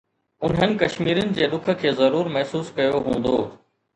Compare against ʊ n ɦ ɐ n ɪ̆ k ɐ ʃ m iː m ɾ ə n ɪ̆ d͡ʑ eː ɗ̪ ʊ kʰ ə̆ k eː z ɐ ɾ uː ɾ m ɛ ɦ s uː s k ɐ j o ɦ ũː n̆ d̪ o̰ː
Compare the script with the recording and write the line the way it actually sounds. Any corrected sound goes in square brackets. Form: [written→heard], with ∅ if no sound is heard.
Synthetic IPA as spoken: ʊ n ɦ [ɐ→ə] n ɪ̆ k ɐ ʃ m iː [m→∅] ɾ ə n ɪ̆ d͡ʑ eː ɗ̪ ʊ kʰ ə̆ [k→kʰ] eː z ɐ ɾ uː ɾ m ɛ ɦ s uː s k ɐ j o ɦ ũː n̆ d̪ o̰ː